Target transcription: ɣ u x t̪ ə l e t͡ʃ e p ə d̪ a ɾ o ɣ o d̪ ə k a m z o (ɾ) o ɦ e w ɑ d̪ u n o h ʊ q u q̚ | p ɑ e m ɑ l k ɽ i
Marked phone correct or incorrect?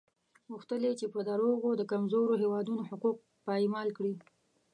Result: correct